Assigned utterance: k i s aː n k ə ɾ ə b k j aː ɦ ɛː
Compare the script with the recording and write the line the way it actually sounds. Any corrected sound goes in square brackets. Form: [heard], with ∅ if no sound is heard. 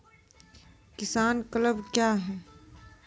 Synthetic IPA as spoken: k [ɪ] s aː n k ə [l] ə b k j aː ɦ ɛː